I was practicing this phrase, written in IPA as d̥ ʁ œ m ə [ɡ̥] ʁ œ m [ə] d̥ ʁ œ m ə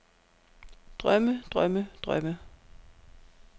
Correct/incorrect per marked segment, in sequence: incorrect: d̥, correct

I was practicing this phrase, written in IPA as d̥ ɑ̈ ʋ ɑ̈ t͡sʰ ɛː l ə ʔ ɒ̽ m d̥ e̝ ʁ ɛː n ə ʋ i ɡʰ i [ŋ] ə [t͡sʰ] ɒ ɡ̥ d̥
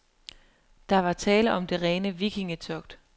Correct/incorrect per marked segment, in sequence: correct, correct

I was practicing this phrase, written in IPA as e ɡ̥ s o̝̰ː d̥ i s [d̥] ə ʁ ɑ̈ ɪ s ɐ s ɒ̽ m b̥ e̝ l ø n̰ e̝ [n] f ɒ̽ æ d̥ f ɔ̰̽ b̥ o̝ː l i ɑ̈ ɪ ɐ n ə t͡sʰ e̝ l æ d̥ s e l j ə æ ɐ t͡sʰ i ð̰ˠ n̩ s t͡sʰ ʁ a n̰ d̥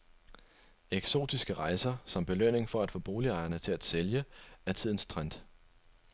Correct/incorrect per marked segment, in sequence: incorrect: ɡ̥, incorrect: ŋ

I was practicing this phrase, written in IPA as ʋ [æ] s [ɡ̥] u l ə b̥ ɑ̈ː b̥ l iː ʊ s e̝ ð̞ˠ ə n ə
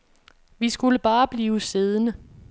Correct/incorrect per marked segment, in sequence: incorrect: i, correct

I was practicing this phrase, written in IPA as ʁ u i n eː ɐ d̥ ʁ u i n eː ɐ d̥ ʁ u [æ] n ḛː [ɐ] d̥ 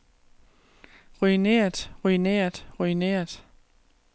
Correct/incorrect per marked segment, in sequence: incorrect: i, correct

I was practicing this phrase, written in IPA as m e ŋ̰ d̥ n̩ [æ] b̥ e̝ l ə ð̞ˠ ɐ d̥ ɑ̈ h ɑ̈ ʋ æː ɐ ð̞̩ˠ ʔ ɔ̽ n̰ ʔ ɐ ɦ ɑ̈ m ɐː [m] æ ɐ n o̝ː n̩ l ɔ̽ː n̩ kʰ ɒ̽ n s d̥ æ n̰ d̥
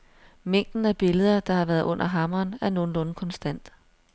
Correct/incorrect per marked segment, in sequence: correct, incorrect: n

